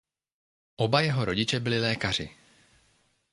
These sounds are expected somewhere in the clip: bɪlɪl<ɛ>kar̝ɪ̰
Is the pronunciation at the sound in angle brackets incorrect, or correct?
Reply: incorrect